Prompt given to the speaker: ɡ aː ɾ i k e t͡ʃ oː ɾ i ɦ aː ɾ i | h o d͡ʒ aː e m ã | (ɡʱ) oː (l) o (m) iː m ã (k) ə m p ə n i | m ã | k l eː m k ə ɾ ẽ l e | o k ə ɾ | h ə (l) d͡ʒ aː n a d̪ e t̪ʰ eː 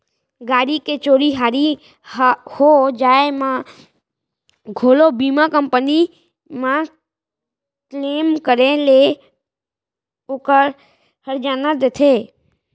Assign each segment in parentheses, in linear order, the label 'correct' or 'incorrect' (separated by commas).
correct, correct, incorrect, correct, incorrect